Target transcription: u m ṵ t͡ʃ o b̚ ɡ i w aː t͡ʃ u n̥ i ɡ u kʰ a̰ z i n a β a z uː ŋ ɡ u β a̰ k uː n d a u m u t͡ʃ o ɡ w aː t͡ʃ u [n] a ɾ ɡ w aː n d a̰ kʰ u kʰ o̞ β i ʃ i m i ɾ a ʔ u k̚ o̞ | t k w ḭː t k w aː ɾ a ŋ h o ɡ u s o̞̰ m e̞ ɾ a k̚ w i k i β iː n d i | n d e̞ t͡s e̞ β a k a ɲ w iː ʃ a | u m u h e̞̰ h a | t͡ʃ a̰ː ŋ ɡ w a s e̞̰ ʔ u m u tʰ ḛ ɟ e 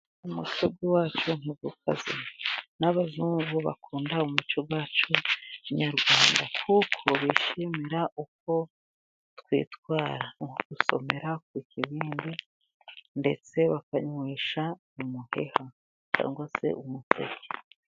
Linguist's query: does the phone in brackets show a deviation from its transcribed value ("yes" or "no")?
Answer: yes